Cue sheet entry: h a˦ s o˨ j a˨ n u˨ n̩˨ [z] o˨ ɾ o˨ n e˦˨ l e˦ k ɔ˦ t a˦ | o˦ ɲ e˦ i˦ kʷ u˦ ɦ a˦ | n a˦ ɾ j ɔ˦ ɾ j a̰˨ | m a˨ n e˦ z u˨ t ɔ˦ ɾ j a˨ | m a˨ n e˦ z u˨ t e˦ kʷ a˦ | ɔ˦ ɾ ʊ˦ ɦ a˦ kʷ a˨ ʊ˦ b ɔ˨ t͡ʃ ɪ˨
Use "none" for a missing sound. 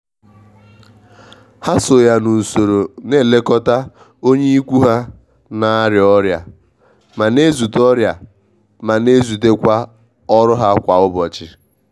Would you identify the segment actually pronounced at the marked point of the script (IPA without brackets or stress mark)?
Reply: s